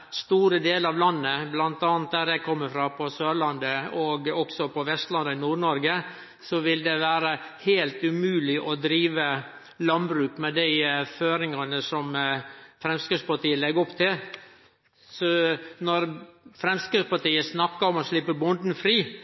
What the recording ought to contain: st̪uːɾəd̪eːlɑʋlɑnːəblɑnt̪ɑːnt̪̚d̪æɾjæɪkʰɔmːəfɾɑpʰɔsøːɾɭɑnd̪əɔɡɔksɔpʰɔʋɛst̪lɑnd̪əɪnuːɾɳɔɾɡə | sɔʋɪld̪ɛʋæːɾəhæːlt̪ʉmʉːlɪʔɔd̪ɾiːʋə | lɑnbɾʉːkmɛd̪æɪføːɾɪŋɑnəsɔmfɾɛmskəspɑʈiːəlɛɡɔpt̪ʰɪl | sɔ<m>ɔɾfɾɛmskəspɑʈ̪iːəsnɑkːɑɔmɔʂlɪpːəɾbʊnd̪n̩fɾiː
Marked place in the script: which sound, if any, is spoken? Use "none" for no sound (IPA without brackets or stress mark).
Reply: n